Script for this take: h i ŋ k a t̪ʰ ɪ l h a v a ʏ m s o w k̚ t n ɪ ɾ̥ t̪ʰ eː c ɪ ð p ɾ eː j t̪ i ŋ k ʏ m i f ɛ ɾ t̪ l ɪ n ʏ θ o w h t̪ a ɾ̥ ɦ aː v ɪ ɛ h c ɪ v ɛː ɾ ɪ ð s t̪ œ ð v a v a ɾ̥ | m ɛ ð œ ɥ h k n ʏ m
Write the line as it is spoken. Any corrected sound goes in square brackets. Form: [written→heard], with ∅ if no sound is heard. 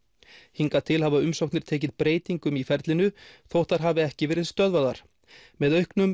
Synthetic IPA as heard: h i ŋ k a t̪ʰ ɪ l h a v a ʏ m s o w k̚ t n ɪ ɾ̥ t̪ʰ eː c ɪ ð p ɾ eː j t̪ i ŋ k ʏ m i f ɛ ɾ t̪ l ɪ n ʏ θ o w h t̪ a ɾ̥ ɦ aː v ɪ ɛ h c ɪ v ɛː ɾ ɪ ð s t̪ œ ð v a [v→ð] a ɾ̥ | m ɛ ð œ ɥ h k n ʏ m